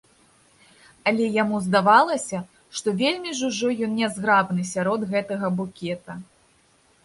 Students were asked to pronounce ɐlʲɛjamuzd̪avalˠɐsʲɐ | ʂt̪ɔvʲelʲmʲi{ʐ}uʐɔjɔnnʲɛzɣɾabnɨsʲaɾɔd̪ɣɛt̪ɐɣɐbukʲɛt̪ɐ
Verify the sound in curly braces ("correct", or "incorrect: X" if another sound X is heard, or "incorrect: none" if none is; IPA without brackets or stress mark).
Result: correct